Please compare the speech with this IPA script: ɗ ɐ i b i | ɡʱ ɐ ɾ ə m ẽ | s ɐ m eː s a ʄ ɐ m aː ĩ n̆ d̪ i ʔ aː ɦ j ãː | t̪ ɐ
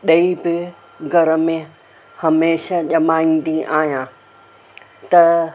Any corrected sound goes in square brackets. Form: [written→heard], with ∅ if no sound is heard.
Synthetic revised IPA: ɗ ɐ i b [i→ɪ] | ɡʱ ɐ ɾ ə m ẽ | [s→h] ɐ m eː [s→ʃ] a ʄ ɐ m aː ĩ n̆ d̪ i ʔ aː ɦ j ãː | t̪ ɐ